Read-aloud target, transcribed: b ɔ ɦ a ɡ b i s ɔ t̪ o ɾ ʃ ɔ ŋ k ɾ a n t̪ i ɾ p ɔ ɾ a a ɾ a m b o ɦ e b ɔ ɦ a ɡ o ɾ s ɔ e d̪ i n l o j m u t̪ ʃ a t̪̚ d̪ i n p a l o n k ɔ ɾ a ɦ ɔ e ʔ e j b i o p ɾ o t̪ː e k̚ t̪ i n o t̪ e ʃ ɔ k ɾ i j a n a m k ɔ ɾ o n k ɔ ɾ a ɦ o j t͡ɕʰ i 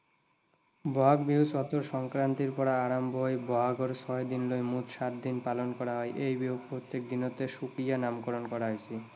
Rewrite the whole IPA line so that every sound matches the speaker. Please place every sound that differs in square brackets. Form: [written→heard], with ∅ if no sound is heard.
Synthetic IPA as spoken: b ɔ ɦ a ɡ b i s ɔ t̪ o ɾ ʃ ɔ ŋ k ɾ a n t̪ i ɾ p ɔ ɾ a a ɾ a m b o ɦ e b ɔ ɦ a ɡ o ɾ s ɔ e d̪ i n l o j m u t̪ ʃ a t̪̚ d̪ i n p a l o n k ɔ ɾ a ɦ ɔ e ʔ e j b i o p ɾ o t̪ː e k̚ [t̪→d̪] i n o t̪ e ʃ [ɔ→u] k ɾ i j a n a m k ɔ ɾ o n k ɔ ɾ a ɦ o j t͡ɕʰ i